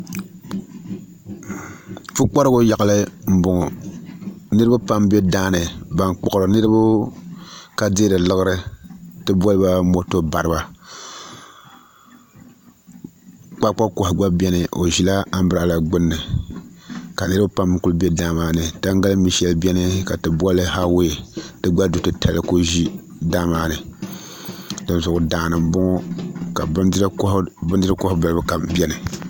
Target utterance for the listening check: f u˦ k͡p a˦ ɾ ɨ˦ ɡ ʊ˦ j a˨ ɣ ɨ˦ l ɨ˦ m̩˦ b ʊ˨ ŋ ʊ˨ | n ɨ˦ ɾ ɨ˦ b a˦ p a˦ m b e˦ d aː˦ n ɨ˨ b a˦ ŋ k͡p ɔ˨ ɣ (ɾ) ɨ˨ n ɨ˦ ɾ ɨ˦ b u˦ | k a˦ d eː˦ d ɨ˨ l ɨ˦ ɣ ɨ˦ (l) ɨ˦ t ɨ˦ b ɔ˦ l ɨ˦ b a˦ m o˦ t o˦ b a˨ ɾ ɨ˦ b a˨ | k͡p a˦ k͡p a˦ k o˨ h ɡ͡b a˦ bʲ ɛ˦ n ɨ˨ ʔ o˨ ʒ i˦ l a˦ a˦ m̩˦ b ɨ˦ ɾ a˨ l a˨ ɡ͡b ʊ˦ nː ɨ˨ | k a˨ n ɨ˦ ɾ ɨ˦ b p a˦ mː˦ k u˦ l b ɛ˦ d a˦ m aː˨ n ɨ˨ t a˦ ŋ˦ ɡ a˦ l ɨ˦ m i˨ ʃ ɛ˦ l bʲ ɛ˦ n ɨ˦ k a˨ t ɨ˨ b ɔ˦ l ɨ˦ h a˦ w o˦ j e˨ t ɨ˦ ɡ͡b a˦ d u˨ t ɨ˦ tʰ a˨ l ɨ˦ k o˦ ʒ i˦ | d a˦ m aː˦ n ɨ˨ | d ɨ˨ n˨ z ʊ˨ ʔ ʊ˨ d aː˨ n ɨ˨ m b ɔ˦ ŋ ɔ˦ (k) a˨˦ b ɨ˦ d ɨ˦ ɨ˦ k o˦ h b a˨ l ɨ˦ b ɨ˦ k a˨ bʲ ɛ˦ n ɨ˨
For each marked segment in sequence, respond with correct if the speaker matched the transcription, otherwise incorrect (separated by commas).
correct, incorrect, correct